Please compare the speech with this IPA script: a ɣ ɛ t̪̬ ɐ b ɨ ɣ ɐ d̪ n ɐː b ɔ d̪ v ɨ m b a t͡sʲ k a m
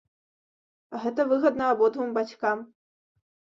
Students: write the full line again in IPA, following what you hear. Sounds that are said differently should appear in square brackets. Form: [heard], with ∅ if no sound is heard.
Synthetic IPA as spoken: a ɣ ɛ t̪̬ ɐ [v] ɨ ɣ ɐ d̪ n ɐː b ɔ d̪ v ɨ m b a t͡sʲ k a m